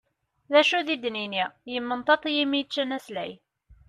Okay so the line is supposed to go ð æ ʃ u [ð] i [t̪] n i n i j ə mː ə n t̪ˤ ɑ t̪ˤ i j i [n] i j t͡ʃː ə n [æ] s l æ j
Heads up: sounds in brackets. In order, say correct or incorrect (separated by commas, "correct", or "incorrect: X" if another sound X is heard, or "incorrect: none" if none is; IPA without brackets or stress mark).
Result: correct, incorrect: d̪, incorrect: m, correct